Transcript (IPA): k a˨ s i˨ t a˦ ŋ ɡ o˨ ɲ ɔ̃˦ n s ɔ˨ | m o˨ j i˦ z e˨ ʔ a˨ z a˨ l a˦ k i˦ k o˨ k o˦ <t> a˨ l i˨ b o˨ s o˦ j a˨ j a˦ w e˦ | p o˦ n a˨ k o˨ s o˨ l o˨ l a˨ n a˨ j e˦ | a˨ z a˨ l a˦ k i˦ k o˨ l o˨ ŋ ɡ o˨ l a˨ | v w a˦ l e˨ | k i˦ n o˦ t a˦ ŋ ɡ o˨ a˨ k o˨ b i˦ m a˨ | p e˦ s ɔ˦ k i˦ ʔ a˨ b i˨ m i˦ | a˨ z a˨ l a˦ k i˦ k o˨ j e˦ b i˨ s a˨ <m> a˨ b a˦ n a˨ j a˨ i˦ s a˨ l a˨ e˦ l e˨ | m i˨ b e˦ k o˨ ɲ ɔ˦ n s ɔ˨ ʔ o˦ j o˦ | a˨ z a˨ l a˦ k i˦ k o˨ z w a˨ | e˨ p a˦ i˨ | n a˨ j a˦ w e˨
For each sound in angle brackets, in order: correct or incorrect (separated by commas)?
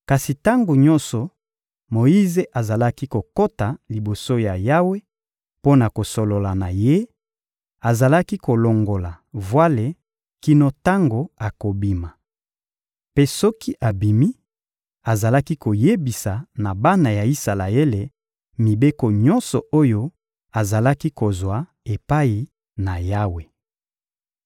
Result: correct, incorrect